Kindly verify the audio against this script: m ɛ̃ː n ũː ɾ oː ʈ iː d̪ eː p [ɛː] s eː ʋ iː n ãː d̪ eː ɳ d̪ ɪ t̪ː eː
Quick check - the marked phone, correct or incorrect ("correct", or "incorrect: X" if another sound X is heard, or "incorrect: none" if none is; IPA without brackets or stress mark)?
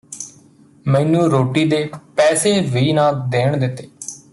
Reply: correct